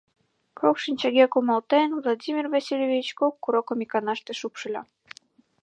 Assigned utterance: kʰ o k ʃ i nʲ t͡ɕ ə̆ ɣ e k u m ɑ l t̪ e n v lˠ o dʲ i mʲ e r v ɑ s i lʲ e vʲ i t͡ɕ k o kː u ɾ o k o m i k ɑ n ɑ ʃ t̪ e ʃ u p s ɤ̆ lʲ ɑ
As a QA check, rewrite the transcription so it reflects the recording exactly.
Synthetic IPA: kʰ o k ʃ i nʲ t͡ɕ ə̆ ɣ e k u m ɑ l t̪ e n v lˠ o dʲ i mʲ i r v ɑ s i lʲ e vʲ i t͡ɕ k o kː u ɾ o k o m i k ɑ n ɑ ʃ t̪ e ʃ u p ʃ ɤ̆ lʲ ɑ